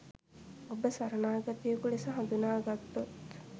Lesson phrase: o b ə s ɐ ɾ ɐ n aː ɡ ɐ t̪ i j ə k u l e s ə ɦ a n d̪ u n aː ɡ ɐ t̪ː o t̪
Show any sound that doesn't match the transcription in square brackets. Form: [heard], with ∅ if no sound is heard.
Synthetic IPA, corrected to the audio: o b ə s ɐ ɾ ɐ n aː ɡ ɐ t̪ i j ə k u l e s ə ɦ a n d̪ u n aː ɡ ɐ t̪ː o t̪